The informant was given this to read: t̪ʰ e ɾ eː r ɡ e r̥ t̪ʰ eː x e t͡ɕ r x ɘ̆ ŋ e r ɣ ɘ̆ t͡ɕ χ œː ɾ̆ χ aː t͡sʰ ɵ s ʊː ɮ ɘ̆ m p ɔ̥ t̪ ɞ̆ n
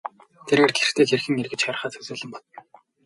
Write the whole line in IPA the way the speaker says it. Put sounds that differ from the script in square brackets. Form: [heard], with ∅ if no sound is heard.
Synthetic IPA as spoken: t̪ʰ e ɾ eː r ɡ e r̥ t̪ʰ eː x e [∅] r x ɘ̆ ŋ e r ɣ ɘ̆ t͡ɕ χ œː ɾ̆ χ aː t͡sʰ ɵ s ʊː ɮ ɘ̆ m p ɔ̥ t̪ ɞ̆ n